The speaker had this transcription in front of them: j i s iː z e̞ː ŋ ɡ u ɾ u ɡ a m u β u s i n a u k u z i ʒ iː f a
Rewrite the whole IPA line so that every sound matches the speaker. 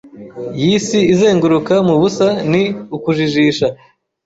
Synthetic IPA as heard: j i s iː z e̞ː ŋ ɡ u ɾ u k a m u β u s a n i u k u ʒ i ʒ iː ʃ a

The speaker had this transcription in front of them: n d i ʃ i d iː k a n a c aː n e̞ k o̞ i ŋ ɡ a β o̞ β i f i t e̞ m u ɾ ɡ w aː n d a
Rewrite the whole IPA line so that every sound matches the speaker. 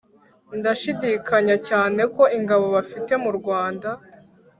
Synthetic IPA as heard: n d a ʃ i d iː k a ɲ a c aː n e̞ k o̞ i ŋ ɡ a β o̞ β a f i t e̞ m u ɾ ɡ w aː n d a

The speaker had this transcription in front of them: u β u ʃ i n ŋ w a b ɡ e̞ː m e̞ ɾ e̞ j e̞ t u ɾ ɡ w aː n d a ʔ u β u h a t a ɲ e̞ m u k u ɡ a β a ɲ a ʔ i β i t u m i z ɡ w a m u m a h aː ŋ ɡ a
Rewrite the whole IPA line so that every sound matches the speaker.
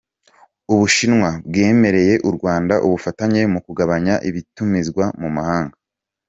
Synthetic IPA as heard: u β u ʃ i n ŋ w a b ɡ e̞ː m e̞ ɾ e̞ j e̞ ʔ u ɾ ɡ w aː n d a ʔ u β u f a t a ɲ e̞ m u k u ɡ a β a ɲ a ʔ i β i t u m i z ɡ w a m u m a h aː ŋ ɡ a

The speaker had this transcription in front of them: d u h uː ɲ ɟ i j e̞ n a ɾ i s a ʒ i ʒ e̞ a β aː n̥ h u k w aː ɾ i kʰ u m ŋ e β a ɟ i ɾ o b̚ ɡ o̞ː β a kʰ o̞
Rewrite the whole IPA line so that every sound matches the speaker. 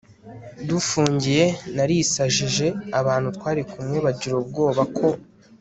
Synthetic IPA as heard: d u f uː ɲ ɟ i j e̞ n a ɾ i s a ʒ i ʒ e̞ a β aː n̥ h u t w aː ɾ i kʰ u m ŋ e β a ɟ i ɾ o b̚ ɡ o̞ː β a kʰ o̞

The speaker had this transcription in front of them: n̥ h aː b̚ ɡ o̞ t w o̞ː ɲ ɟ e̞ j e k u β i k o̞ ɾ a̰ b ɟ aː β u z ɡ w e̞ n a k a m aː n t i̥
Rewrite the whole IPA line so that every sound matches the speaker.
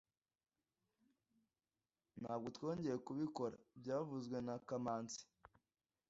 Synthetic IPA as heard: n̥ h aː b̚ ɡ o̞ t w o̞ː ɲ ɟ e̞ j e k u β i k o̞ ɾ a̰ b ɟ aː v u z ɡ w e̞ n a k a m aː n t͡s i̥

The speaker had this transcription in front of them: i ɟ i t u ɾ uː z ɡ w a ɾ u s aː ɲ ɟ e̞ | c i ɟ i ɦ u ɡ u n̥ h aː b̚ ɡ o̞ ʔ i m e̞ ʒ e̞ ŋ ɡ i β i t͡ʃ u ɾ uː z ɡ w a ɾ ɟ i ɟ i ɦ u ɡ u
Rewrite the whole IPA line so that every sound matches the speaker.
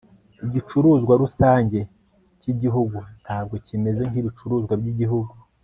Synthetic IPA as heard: i ɟ i t͡ʃ u ɾ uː z ɡ w a ɾ u s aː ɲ ɟ e̞ | c i ɟ i ɦ u ɡ u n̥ h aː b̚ ɡ o̞ c i m e̞ z e̞ ŋ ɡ i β i t͡ʃ u ɾ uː z ɡ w a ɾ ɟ i ɟ i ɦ u ɡ u

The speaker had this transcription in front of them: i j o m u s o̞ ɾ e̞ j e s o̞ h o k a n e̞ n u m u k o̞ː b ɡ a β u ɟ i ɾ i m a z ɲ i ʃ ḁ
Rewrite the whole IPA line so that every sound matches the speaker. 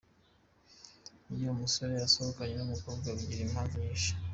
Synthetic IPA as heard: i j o m u s o̞ ɾ e̞ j a s o̞ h o k a ɲ e̞ n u m u k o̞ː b ɡ a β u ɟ i ɾ i m a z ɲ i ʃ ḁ

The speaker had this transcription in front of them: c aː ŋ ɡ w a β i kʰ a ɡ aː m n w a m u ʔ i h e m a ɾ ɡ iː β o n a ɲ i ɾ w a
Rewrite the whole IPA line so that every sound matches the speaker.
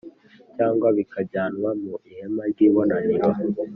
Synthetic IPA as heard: c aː ŋ ɡ w a β i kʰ a ɟ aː n w a m u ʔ i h e m a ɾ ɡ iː β o n a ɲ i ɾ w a

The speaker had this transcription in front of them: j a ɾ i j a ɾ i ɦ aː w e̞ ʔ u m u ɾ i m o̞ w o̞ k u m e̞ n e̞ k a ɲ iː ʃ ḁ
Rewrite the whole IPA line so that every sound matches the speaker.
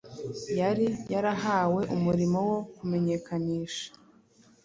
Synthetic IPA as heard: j a ɾ i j a ɾ a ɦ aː w e̞ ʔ u m u ɾ i m o̞ w o̞ k u m e̞ ɲ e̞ k a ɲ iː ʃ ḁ

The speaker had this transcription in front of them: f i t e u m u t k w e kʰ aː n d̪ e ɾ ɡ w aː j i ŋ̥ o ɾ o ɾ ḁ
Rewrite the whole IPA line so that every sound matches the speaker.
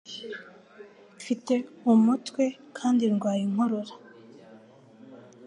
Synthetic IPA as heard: f i t e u m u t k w e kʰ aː n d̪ i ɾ ɡ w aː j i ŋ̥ o ɾ o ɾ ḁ

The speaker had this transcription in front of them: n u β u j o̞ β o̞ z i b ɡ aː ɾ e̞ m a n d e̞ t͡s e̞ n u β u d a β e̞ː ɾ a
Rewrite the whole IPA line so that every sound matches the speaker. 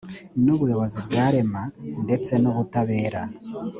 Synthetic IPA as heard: n u β u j o̞ β o̞ z i b ɡ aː ɾ e̞ m a n d e̞ t͡s e̞ n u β u t a β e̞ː ɾ a

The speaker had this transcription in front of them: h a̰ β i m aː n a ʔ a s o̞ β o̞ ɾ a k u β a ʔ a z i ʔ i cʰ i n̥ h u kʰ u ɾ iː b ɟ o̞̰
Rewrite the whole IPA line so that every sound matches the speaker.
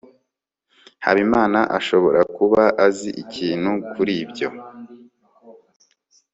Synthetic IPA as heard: h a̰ β i m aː n a ʔ a ʃ o̞ β o̞ ɾ a k u β a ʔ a z i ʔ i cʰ iː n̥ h u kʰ u ɾ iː b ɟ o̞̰

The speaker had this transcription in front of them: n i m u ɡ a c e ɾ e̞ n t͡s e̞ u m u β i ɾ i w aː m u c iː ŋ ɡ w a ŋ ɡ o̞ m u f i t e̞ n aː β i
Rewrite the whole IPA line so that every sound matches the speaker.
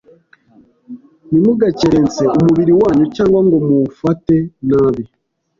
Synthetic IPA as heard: n i m u ɡ a c e ɾ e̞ n t͡s e̞ u m u β i ɾ i w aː ɲ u c aː ŋ ɡ w a ŋ ɡ o̞ m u f a t e̞ n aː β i

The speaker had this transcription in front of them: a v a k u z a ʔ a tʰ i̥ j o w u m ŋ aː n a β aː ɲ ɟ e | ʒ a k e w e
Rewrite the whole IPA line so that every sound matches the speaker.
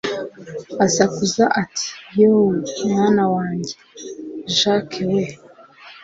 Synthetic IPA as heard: a z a k u z a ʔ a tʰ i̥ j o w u m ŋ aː n a w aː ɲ ɟ e | ʒ a k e w e

